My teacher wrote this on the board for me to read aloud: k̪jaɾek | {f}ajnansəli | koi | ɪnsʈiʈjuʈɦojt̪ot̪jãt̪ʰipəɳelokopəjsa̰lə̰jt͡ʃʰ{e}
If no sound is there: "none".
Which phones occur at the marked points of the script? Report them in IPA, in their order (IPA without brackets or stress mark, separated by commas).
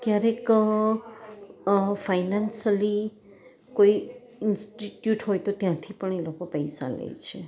f, e